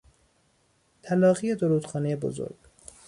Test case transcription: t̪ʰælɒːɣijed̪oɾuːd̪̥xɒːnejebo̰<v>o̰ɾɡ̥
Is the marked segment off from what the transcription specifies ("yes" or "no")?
yes